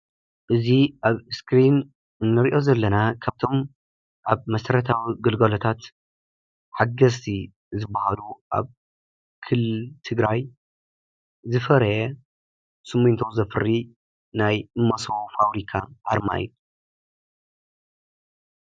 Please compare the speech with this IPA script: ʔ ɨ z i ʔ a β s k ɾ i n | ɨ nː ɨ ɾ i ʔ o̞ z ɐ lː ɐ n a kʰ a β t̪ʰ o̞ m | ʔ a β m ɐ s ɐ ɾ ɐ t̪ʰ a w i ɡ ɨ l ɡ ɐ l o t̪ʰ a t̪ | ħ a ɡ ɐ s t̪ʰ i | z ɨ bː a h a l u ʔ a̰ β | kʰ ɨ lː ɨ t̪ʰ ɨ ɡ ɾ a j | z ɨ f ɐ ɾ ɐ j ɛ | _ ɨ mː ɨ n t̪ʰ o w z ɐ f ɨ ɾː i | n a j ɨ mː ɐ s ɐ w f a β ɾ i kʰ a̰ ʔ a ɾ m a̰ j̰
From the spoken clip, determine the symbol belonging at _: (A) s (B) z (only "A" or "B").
A